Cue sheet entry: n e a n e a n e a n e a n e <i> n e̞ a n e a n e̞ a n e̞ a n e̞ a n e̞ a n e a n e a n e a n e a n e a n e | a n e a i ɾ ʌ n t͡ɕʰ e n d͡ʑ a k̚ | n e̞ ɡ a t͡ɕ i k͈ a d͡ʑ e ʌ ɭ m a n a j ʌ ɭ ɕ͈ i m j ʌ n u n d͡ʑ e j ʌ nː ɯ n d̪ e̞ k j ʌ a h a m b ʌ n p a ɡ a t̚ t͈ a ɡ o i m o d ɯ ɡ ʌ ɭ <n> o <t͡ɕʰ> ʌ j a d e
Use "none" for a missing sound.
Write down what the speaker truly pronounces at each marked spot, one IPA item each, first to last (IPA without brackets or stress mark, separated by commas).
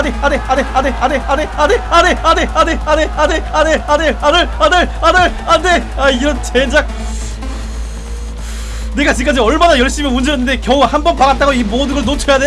a, n, t͡ɕʰ